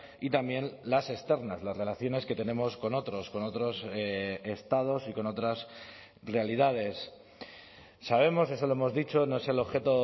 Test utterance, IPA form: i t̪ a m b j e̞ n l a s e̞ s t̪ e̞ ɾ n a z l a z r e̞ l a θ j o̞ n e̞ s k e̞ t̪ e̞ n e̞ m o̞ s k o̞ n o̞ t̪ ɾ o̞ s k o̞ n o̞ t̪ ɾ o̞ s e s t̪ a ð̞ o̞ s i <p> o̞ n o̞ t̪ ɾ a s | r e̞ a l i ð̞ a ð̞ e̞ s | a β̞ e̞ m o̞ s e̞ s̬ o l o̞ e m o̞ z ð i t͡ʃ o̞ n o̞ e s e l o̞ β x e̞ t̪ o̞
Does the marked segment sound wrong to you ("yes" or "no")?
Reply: yes